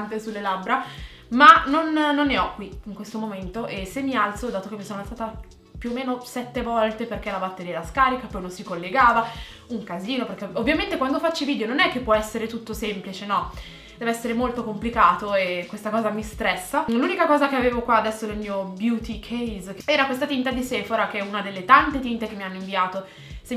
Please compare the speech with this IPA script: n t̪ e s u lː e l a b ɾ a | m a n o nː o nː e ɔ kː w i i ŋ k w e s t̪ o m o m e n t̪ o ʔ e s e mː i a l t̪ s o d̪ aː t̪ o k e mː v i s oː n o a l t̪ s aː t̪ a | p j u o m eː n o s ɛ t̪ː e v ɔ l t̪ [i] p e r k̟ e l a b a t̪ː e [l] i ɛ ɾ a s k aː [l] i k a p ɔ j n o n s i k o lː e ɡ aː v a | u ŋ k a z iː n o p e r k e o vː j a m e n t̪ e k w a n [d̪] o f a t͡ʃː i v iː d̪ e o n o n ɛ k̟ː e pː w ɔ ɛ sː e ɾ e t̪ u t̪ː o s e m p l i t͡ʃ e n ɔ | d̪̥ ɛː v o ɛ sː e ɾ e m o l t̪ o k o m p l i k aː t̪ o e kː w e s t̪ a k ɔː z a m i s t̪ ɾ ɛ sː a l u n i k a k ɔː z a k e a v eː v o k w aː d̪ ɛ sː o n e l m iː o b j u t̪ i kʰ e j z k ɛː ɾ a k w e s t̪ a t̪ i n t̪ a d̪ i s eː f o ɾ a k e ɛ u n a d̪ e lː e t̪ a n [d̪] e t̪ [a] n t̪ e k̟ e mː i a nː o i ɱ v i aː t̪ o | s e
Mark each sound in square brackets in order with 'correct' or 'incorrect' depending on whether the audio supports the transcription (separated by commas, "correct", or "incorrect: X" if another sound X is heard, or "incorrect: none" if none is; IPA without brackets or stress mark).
incorrect: e, incorrect: ɾ, incorrect: ɾ, correct, incorrect: t̪, incorrect: i